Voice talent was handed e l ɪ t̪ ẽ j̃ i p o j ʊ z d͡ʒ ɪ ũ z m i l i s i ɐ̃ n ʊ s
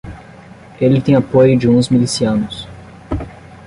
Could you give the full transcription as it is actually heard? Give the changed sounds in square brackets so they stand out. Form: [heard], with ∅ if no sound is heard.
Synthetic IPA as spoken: e l ɪ t̪ ẽ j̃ [a] p o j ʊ [∅] d͡ʒ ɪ ũ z m i l i s i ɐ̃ n ʊ s